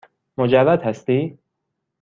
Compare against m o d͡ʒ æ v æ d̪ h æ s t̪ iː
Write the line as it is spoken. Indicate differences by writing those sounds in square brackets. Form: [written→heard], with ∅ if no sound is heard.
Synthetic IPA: m o d͡ʒ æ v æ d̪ h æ s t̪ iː